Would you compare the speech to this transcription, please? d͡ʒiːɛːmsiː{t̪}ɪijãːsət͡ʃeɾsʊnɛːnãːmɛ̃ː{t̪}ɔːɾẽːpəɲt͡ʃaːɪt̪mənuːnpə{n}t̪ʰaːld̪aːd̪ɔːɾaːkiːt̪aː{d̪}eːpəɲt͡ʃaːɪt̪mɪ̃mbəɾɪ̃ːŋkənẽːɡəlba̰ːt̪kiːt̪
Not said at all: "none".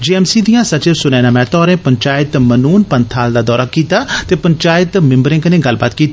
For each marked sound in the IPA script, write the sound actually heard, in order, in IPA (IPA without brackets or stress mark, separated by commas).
d̪, t̪, n, t̪